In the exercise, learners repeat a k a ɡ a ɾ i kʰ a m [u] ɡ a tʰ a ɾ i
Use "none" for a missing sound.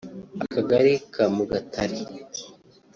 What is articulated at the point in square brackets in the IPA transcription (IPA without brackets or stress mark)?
u